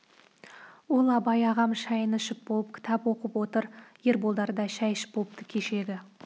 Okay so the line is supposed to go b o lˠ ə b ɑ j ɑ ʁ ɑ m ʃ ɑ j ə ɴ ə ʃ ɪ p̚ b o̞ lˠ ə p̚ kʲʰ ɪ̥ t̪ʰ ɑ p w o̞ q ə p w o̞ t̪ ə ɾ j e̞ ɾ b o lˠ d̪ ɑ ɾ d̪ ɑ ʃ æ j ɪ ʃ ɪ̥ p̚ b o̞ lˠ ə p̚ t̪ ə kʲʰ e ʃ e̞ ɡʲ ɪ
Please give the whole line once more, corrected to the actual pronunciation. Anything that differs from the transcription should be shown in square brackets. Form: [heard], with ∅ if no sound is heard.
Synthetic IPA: [w] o lˠ [ɑ] b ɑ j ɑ ʁ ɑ m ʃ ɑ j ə [n] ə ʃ ɪ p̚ b o̞ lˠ ə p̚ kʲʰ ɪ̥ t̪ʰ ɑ p w o̞ q ə p w o̞ t̪ ə ɾ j e̞ ɾ b o lˠ d̪ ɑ ɾ d̪ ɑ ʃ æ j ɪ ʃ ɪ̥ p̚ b o̞ lˠ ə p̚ t̪ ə kʲʰ e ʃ e̞ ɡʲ ɪ